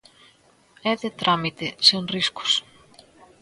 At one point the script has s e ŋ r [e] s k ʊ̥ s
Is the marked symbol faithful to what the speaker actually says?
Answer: no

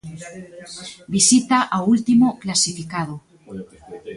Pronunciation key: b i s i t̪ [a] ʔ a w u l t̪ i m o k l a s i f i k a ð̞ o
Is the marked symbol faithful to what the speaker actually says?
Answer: yes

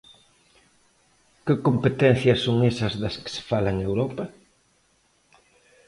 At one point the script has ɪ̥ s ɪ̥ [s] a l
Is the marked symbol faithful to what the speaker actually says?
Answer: no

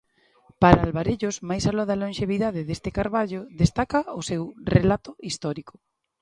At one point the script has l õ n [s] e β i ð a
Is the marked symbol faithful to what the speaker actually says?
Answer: no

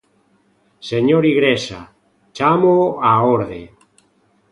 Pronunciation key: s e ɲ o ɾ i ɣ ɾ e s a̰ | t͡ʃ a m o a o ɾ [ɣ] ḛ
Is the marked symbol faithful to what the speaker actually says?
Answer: no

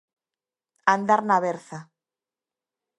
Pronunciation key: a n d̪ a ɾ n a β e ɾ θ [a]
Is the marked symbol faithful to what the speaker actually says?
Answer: yes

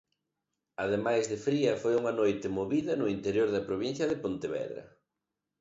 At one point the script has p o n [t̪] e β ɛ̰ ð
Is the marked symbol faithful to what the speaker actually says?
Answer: yes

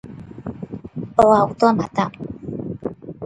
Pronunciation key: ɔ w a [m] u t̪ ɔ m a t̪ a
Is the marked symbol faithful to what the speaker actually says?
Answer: no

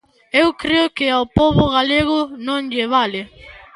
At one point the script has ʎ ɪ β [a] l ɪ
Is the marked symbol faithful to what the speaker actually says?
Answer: yes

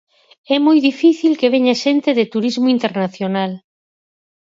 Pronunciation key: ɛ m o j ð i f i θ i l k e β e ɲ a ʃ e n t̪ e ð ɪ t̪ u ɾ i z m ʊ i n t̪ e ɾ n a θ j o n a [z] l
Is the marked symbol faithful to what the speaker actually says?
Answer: no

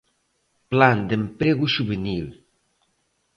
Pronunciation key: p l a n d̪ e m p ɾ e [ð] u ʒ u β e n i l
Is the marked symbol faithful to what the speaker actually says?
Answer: no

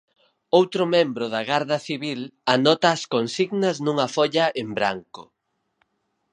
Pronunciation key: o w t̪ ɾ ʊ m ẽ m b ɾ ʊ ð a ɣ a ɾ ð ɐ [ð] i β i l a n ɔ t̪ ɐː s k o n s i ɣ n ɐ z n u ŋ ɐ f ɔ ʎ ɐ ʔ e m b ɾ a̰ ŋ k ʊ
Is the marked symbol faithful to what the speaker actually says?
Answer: no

